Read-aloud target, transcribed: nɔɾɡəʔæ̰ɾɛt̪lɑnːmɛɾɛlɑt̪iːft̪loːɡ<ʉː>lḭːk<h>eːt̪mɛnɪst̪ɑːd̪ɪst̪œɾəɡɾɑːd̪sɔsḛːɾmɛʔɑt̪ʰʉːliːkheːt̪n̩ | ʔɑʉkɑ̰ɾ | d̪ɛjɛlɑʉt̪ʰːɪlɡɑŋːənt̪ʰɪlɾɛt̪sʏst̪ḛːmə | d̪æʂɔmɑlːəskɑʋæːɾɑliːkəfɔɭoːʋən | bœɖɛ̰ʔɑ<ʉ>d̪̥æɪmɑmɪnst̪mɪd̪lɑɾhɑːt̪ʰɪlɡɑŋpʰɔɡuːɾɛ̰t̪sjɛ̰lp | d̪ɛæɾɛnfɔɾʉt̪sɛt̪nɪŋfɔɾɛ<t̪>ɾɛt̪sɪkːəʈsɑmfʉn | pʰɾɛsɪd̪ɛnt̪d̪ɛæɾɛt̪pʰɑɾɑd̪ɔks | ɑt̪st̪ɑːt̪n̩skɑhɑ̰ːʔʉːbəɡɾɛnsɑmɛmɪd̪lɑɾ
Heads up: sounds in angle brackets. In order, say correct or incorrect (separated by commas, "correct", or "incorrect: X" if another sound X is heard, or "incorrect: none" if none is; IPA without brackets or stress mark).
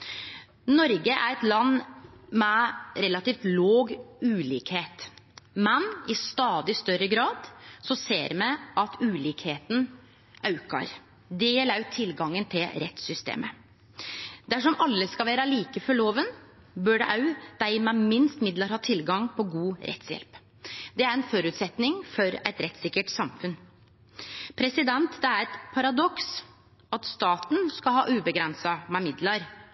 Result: correct, correct, correct, correct